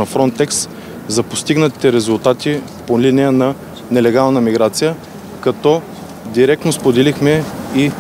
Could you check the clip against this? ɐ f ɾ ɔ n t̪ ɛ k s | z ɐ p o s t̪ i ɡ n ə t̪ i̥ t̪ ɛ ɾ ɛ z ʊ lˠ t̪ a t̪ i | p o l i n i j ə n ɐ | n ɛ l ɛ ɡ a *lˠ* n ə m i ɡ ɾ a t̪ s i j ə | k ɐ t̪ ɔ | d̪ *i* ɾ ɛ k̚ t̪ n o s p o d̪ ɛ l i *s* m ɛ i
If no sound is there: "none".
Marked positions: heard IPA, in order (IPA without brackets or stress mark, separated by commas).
lˠ, i, x